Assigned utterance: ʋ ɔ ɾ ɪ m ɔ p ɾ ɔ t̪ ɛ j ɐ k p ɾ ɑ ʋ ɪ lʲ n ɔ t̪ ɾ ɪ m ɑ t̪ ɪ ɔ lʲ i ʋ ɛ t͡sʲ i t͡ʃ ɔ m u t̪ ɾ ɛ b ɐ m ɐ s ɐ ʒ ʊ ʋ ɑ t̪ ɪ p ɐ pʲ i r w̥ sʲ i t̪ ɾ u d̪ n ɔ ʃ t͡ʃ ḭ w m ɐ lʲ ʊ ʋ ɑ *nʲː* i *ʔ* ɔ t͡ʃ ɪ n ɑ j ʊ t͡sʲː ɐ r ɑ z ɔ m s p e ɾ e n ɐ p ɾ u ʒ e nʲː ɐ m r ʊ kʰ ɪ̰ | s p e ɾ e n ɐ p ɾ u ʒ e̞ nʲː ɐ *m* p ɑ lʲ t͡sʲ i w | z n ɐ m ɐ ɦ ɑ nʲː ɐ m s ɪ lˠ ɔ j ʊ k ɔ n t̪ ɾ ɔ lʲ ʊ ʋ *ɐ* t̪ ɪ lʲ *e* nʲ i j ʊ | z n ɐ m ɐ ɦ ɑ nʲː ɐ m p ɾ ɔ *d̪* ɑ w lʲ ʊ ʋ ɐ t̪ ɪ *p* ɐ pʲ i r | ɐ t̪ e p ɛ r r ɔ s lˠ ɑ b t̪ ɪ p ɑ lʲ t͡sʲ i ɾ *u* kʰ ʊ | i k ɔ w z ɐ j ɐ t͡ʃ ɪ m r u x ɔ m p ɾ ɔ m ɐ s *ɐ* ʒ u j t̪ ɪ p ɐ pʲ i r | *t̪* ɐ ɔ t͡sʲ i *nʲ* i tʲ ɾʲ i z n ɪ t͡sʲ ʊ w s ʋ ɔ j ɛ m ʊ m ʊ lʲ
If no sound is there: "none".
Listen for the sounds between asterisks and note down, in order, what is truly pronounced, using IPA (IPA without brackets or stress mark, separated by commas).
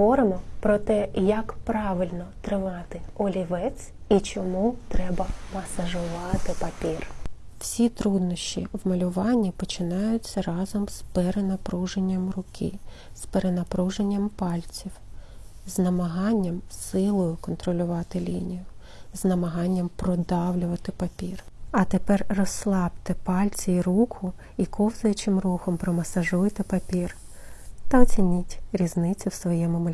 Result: nʲː, p, m, ɑ, i, d̪, p, u, ɐ, t̪, nʲ